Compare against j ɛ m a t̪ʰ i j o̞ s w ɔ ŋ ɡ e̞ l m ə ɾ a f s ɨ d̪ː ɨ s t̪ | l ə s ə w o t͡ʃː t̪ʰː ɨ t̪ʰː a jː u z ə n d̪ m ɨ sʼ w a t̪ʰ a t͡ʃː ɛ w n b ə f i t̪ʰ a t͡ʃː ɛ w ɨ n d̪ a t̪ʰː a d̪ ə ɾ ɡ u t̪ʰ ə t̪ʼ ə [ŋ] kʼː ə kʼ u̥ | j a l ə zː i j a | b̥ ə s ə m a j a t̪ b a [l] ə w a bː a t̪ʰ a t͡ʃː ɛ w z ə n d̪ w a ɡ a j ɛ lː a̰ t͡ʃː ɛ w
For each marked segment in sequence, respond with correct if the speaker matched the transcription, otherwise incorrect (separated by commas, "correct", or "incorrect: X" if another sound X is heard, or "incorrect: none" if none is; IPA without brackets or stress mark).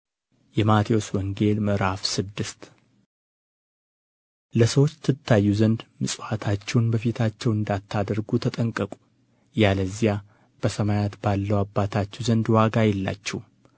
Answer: correct, incorrect: lː